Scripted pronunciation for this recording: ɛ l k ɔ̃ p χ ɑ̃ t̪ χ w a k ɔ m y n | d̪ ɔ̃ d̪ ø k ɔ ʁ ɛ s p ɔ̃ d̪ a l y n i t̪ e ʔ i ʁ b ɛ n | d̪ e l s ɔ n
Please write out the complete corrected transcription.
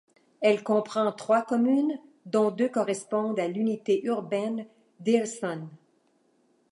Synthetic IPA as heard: ɛ l k ɔ̃ p χ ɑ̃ t̪ χ w a k ɔ m y n | d̪ ɔ̃ d̪ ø k ɔ ʁ ɛ s p ɔ̃ d̪ a l y n i t̪ e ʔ y ʁ b ɛ n | d̪ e l s ɔ n